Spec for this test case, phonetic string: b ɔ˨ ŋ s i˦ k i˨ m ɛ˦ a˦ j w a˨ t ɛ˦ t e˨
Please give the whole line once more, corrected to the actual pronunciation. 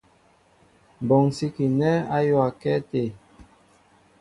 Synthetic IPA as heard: b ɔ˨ ŋ s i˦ k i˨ n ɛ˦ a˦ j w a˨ k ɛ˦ t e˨